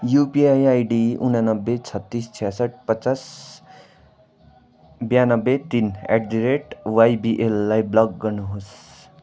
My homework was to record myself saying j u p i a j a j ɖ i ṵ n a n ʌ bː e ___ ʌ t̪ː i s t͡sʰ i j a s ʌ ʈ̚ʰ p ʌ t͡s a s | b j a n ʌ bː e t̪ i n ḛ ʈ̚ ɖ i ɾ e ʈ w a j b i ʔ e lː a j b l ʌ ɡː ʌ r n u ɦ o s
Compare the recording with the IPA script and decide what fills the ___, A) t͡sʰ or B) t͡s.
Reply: A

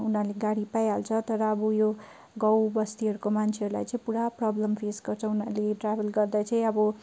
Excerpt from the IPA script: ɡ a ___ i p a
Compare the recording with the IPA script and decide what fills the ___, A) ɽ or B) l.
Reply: A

